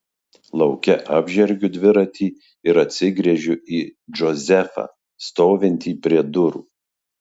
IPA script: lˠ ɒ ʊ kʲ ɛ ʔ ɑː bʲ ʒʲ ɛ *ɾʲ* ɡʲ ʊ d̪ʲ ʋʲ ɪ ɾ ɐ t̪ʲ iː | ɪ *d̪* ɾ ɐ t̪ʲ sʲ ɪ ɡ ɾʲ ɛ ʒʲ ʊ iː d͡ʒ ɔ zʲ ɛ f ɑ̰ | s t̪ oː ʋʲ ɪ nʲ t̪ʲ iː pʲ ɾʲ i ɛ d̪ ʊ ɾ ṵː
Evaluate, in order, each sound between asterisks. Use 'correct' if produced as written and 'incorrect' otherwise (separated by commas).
correct, incorrect